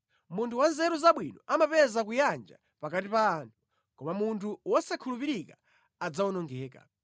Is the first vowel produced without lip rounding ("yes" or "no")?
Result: no